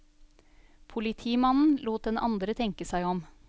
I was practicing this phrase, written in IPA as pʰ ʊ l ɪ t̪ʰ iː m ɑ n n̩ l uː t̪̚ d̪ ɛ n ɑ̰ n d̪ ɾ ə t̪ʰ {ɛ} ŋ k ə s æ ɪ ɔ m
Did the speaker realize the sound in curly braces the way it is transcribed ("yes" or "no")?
yes